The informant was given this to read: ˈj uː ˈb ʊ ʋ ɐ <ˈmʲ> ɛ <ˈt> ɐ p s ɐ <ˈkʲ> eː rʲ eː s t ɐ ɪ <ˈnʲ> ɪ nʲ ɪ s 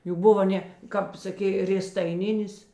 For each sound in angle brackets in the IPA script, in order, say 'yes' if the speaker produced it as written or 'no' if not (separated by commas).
no, no, yes, yes